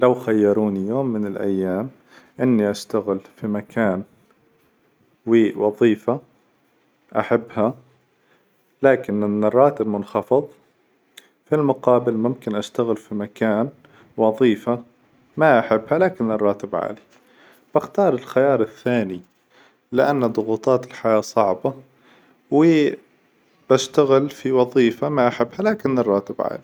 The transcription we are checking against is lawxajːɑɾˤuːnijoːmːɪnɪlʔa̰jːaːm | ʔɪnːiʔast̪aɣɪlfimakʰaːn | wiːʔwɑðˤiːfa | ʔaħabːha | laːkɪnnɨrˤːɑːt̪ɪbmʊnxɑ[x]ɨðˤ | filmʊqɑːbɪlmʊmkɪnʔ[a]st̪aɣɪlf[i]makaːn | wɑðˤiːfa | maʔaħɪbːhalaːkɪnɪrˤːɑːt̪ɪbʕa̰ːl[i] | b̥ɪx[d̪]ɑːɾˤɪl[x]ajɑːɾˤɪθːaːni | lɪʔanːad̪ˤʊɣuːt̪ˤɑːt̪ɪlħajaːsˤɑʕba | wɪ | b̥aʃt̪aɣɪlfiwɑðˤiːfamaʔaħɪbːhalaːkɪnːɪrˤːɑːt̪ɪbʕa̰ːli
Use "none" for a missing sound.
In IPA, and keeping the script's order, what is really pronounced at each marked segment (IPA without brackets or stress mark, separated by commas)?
f, a, i, i, t̪, x